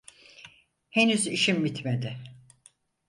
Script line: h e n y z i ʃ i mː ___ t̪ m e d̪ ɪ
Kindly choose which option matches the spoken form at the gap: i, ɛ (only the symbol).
i